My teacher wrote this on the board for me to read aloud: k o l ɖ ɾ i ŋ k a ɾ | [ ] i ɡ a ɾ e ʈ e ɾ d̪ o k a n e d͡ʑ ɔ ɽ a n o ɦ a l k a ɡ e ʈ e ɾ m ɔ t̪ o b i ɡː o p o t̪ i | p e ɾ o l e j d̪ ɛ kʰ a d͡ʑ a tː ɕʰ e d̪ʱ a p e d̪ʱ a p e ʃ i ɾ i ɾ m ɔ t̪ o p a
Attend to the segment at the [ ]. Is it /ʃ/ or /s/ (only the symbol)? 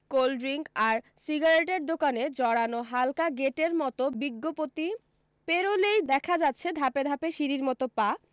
s